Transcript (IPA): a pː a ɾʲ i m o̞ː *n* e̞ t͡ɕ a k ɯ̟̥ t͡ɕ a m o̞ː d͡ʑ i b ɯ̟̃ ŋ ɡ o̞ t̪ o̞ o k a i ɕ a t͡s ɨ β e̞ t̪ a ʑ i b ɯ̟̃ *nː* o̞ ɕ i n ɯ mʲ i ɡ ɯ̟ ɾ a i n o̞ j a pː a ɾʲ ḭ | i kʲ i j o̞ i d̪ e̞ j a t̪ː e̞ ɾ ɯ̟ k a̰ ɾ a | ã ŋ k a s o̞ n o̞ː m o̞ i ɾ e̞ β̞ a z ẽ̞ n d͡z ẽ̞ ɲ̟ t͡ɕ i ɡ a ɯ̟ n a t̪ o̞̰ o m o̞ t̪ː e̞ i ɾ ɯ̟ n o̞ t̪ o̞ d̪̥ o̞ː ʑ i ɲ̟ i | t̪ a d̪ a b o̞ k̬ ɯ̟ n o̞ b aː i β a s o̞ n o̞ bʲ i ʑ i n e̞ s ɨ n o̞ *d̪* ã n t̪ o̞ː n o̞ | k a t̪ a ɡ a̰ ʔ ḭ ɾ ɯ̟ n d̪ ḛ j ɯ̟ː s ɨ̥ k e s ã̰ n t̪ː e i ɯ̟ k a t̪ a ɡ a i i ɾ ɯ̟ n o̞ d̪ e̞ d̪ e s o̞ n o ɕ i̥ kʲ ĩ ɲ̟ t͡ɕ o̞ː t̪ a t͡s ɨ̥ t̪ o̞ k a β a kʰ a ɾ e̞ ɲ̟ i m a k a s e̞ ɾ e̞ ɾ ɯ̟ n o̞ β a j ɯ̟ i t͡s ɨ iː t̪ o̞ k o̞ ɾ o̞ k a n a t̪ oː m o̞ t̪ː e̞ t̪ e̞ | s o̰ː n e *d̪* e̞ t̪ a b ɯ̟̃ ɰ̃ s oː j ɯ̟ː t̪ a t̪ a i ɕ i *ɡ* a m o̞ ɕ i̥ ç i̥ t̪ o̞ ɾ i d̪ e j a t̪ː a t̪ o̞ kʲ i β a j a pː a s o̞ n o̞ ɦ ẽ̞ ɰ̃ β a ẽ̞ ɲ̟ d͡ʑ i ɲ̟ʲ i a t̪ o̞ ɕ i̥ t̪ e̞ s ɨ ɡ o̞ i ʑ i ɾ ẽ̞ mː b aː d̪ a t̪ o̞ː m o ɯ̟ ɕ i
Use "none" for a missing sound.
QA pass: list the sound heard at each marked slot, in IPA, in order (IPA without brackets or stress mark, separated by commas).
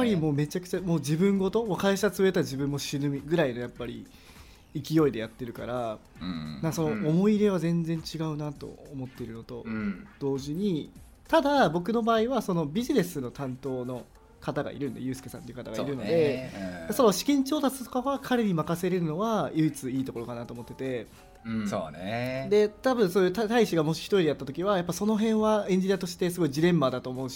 m, mː, t̪, d̪, ɡ